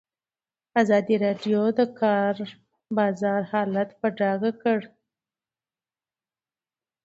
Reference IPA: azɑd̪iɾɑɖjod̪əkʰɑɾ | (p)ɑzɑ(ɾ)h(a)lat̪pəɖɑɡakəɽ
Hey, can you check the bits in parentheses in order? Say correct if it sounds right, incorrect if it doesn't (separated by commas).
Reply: incorrect, correct, incorrect